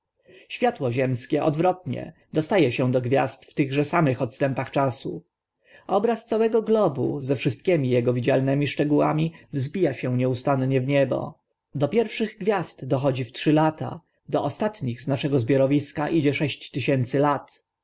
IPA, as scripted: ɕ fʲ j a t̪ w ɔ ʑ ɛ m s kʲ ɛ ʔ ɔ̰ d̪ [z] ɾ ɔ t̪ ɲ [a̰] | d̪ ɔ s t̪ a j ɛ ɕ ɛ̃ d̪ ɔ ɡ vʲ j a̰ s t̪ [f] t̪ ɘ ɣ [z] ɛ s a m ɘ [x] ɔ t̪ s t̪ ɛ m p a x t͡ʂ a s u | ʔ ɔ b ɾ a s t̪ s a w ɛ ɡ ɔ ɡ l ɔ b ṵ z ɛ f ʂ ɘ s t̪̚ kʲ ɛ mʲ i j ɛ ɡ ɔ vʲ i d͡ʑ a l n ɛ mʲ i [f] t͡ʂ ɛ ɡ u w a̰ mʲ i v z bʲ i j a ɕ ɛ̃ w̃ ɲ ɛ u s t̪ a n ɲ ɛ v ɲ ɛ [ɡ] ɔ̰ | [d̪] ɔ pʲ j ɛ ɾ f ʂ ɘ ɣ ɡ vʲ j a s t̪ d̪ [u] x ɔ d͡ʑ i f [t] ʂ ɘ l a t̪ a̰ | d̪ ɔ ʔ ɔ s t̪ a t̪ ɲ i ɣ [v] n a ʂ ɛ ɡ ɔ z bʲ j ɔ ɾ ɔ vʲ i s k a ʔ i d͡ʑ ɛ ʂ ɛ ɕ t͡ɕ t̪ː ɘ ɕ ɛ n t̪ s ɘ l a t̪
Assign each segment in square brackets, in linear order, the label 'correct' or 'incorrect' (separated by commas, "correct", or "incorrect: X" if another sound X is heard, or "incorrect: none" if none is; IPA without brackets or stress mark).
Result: incorrect: v, incorrect: ɛ̰, correct, incorrect: ʐ, correct, incorrect: ʂ, incorrect: b, correct, incorrect: ɔ, correct, incorrect: z